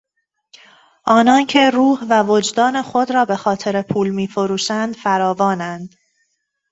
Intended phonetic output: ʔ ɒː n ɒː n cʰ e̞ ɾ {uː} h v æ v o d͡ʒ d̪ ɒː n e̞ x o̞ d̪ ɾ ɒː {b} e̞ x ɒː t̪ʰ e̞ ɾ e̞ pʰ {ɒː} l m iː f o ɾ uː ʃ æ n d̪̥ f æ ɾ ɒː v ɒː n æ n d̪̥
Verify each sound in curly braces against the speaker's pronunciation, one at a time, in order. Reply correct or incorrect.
correct, correct, incorrect

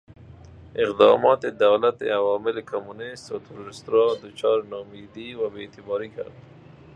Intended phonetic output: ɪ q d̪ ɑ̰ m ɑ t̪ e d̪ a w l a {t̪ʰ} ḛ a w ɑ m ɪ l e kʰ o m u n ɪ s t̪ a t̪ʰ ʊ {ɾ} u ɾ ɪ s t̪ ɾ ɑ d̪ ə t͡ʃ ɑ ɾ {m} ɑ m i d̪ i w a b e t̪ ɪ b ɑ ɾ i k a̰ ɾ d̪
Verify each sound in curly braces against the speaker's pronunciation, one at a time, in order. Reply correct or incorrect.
incorrect, correct, incorrect

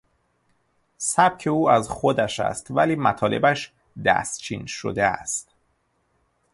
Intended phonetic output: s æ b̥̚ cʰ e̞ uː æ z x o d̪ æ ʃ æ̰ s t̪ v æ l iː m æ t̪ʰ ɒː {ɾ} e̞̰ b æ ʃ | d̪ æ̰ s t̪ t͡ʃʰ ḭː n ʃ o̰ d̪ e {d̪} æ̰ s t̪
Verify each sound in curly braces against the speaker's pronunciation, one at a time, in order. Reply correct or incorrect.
incorrect, incorrect

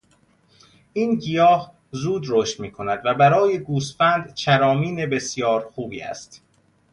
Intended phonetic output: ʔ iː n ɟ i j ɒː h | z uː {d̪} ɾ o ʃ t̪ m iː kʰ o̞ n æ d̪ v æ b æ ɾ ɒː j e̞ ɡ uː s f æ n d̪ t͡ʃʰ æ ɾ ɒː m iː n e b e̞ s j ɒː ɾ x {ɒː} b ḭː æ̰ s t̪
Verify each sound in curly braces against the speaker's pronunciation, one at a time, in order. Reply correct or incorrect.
correct, incorrect

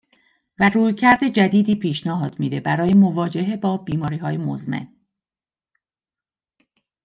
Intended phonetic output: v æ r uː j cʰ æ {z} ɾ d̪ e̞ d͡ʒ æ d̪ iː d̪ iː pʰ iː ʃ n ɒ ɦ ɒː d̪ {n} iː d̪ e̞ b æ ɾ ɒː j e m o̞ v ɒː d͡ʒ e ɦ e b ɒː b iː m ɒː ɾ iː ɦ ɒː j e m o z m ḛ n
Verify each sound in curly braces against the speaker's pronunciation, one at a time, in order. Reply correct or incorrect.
incorrect, incorrect

